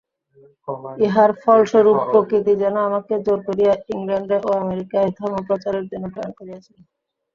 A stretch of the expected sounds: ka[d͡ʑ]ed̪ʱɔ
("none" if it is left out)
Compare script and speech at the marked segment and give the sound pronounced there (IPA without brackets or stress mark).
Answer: none